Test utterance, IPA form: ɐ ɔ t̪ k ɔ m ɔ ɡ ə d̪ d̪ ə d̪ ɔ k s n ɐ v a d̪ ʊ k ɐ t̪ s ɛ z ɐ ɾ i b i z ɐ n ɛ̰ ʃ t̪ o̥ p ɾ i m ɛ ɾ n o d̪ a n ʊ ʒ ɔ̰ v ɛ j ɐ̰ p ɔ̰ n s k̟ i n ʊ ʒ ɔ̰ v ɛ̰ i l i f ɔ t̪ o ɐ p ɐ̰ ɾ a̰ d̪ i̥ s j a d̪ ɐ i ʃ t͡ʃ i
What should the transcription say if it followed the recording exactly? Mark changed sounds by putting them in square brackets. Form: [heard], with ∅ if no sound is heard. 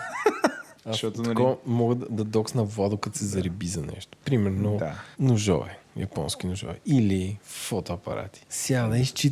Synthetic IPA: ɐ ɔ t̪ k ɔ m ɔ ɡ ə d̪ d̪ [ɐ] d̪ ɔ k s n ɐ v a d̪ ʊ k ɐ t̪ s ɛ z ɐ ɾ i b i z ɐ n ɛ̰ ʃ t̪ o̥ p ɾ i m ɛ ɾ n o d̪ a n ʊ ʒ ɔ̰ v ɛ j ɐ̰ p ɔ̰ n s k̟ i n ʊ ʒ ɔ̰ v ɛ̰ i l i f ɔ t̪ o ɐ p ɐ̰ ɾ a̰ [t̪] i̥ s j a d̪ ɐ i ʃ t͡ʃ i